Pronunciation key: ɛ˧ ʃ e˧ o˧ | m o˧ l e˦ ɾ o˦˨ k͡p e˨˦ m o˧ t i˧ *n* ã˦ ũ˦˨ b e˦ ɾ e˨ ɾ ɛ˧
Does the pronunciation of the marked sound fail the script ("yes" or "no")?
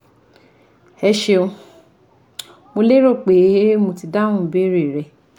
yes